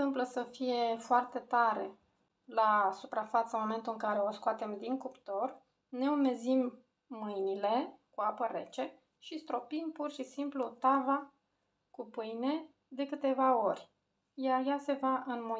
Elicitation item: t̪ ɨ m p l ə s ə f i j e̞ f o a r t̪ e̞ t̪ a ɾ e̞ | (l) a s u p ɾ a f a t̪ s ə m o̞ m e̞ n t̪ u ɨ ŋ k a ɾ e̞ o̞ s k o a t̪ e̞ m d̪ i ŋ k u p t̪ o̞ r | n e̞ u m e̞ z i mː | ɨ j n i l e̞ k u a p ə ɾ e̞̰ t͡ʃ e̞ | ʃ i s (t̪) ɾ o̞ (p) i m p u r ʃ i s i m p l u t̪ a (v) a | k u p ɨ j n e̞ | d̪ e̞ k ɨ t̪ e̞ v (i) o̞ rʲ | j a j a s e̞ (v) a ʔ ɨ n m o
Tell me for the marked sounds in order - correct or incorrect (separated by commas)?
correct, correct, correct, correct, incorrect, correct